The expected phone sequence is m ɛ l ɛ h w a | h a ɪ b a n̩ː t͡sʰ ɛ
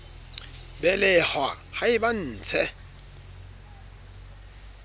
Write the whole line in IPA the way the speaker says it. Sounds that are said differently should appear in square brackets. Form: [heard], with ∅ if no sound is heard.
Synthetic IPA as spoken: [b] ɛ l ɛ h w a | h a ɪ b a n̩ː t͡sʰ ɛ